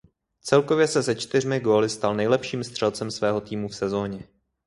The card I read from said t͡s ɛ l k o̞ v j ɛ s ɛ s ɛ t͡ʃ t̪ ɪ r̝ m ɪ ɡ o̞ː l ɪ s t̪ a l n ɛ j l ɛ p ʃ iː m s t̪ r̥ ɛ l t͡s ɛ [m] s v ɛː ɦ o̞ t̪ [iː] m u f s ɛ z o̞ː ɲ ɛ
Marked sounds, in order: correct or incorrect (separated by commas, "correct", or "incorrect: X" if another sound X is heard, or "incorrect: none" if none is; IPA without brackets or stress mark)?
correct, correct